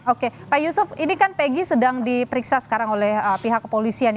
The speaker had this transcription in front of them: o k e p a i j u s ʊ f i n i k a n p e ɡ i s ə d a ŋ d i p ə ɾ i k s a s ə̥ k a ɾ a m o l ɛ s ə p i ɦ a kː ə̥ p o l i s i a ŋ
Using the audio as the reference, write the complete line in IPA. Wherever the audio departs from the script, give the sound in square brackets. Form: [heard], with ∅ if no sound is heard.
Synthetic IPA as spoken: o k e p a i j u s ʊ f i n i k a n p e ɡ i s ə d a ŋ d i p ə ɾ i k s a s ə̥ k a ɾ a [ŋ] o l ɛ [h] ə p i ɦ a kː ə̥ p o l i s i a [n]